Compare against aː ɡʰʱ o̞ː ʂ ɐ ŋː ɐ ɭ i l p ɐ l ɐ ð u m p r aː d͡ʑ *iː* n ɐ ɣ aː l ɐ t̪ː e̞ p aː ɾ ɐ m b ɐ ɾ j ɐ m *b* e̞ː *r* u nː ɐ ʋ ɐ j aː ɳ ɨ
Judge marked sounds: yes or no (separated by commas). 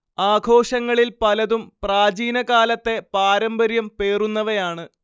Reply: yes, no, yes